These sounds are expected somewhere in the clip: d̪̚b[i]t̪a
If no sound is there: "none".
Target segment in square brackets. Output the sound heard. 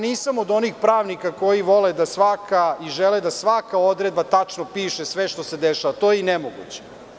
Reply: a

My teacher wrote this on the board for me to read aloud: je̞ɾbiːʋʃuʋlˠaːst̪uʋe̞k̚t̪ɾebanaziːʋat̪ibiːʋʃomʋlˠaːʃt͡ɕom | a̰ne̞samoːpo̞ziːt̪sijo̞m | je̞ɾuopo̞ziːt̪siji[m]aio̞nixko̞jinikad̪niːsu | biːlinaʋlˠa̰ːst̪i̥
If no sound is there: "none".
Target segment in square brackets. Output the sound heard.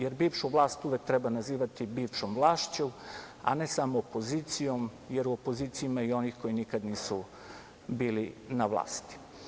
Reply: m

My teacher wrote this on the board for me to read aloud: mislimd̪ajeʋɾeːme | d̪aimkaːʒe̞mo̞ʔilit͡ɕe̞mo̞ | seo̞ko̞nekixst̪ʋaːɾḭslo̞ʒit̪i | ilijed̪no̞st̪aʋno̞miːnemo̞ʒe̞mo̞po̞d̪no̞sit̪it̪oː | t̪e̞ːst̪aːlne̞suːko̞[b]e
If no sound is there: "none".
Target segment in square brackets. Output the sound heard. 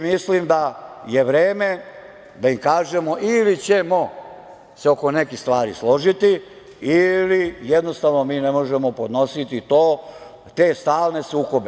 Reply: b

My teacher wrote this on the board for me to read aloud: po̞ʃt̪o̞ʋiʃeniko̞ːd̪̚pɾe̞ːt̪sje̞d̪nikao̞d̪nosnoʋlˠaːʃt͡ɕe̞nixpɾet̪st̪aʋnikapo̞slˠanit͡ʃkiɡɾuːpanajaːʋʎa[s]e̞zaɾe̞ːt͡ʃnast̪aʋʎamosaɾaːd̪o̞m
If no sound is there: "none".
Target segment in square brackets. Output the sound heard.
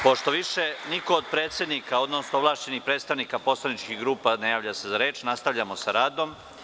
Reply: s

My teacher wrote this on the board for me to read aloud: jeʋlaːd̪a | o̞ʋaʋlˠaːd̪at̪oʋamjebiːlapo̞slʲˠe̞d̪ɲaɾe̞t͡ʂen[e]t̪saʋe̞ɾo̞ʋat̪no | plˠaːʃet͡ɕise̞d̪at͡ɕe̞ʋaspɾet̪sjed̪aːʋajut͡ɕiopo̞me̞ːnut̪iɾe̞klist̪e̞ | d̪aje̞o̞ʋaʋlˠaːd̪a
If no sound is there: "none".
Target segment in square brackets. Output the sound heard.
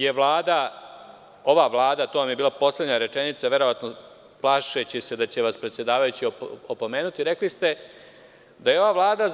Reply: i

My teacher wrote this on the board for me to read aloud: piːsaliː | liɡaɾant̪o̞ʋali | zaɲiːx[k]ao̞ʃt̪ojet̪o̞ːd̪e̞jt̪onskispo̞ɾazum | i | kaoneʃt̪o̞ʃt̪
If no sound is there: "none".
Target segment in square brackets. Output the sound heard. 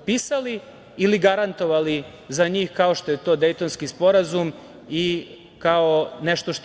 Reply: k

